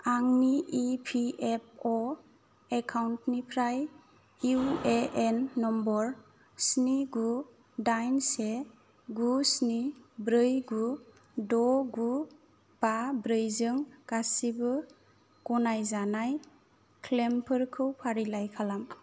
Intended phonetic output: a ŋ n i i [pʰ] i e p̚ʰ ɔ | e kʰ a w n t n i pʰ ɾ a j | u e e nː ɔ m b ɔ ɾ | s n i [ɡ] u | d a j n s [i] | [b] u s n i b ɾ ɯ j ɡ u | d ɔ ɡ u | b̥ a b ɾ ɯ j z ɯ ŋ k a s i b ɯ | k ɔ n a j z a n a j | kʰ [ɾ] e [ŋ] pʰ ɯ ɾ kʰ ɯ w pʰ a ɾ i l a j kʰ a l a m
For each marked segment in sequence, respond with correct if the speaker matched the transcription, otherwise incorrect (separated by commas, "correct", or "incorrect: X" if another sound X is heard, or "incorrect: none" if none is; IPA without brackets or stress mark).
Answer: correct, correct, incorrect: e, incorrect: ɡ, incorrect: l, incorrect: m